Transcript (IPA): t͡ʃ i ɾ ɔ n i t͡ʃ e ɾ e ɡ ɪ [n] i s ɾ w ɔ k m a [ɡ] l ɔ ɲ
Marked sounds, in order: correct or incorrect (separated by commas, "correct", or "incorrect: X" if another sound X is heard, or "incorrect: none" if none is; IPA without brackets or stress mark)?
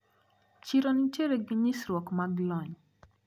incorrect: ɲ, correct